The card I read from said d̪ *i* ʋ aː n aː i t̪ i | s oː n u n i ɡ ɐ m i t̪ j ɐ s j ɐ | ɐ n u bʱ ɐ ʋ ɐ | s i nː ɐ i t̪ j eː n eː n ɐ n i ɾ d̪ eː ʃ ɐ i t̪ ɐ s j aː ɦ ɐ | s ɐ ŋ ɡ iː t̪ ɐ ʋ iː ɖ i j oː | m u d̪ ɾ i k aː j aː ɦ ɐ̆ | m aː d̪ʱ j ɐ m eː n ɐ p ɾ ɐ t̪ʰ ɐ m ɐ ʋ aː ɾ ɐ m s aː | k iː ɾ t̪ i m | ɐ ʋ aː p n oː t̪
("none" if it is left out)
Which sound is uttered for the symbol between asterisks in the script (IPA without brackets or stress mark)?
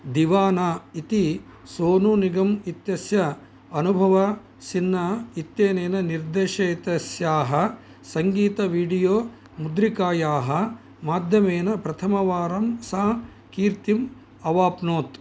i